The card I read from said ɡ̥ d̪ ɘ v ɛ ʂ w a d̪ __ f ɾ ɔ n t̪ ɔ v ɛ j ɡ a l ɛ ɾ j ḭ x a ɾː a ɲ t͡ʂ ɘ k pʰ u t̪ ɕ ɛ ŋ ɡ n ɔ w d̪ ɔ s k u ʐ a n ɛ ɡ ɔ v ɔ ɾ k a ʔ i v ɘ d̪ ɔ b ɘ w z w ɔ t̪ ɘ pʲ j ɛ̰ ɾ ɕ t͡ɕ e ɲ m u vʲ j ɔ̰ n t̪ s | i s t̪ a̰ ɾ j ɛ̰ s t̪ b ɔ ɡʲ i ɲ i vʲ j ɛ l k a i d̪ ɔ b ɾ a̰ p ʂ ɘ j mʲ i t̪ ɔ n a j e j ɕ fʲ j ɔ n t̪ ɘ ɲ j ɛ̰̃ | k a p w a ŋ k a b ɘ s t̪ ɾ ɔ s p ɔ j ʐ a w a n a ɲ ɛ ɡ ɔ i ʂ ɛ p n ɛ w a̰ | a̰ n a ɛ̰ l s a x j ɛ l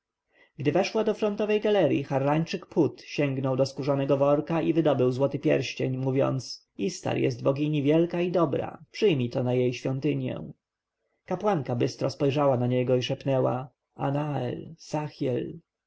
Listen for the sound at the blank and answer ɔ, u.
ɔ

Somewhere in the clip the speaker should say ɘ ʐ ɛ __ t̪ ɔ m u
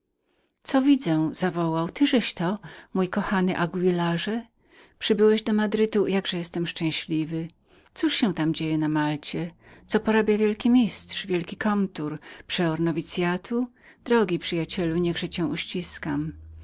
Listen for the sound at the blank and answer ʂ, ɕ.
ɕ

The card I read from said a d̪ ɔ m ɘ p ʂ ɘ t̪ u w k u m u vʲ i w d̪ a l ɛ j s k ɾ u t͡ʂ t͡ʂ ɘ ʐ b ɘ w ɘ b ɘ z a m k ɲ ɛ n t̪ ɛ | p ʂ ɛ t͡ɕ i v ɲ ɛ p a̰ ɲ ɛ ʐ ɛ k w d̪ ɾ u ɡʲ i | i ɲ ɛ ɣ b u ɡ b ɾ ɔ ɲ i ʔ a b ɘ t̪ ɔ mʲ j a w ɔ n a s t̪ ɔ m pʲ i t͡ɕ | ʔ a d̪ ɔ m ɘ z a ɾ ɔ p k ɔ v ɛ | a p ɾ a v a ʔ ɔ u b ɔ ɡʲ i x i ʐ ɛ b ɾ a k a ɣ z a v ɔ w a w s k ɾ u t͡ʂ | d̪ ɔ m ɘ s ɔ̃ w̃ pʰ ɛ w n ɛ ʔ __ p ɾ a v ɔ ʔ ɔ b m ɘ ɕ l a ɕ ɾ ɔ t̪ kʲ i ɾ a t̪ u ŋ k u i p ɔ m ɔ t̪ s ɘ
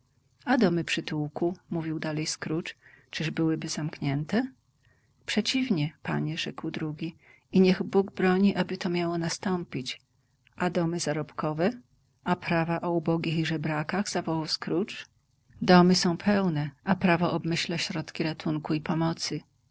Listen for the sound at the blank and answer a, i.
a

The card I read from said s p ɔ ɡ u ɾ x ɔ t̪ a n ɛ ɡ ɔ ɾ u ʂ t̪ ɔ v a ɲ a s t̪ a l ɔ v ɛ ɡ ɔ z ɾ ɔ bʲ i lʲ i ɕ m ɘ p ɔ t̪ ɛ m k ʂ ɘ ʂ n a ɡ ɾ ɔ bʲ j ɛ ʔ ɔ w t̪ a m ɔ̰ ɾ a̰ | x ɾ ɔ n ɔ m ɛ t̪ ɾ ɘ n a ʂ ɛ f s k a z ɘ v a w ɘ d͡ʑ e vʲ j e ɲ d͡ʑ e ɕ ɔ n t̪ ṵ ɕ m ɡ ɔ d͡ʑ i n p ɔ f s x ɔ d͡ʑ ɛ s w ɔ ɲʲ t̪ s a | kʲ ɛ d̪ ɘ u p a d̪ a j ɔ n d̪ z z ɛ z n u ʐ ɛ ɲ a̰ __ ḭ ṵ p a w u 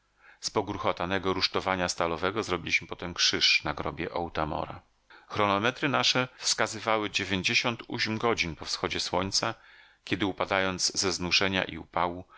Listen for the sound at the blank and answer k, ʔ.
ʔ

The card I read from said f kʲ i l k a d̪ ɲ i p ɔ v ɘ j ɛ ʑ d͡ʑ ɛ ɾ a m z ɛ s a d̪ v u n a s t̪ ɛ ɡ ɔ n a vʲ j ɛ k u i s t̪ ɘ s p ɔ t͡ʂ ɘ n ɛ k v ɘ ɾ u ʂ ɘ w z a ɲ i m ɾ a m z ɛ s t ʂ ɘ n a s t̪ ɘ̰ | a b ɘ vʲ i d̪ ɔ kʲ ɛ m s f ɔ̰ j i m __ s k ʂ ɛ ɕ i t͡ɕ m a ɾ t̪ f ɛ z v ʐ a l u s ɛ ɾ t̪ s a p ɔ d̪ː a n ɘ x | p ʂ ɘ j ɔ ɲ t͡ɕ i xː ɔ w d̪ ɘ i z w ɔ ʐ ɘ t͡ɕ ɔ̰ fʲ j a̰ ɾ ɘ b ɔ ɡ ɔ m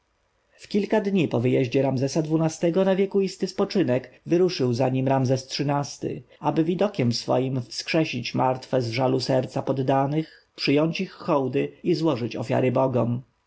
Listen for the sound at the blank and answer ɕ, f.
f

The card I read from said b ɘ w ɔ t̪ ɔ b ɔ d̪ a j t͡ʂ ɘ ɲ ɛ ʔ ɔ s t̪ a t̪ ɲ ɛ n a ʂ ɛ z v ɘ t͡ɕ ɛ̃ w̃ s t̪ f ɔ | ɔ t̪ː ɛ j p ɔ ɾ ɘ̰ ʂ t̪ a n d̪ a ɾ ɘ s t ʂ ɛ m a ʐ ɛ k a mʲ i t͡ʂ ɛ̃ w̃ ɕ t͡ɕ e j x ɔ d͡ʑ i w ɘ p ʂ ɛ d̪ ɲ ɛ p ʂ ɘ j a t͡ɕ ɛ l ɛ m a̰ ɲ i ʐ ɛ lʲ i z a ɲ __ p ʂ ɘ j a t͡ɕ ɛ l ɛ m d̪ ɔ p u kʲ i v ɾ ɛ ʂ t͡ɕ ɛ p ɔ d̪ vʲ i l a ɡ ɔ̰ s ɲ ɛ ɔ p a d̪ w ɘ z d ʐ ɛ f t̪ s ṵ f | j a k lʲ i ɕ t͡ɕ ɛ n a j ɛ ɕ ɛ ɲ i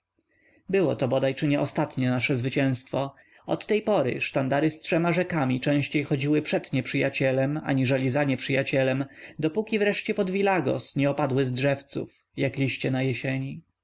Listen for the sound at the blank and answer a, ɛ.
ɛ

